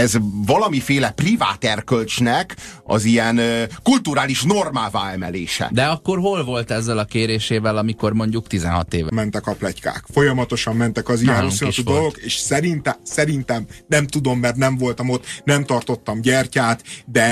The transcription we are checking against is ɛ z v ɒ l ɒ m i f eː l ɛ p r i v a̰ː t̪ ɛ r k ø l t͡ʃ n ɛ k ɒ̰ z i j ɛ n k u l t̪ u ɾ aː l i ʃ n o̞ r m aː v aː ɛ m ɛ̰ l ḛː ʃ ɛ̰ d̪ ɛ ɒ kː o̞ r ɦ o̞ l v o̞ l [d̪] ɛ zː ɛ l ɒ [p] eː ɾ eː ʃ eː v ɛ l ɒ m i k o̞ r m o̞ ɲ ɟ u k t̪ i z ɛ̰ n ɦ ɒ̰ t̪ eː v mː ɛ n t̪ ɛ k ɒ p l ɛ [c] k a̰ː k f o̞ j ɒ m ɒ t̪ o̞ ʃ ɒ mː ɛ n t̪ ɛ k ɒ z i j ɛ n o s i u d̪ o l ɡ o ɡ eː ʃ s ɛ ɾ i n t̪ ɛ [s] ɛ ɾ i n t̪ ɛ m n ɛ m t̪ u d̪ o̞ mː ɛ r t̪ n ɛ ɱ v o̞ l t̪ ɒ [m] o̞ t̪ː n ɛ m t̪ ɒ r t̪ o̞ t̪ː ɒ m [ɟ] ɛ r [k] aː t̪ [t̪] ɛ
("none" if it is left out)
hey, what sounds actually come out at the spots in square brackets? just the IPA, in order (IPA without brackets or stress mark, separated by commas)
t̪, k, c, s, m, ɟ, c, d̪